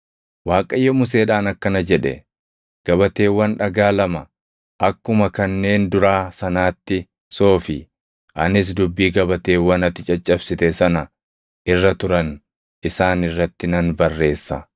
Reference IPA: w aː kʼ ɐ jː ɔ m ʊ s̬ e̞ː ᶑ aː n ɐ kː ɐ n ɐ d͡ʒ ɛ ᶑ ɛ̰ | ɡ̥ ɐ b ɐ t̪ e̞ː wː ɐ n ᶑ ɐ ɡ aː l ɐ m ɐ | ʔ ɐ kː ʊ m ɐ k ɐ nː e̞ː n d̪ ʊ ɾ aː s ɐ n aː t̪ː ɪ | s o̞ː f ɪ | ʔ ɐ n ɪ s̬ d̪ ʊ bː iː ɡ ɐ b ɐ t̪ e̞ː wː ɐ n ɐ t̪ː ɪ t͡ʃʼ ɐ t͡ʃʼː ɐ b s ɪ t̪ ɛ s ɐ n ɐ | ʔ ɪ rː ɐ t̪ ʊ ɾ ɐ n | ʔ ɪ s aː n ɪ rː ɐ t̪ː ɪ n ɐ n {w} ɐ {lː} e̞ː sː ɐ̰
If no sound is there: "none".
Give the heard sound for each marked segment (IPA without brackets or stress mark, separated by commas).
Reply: b, rː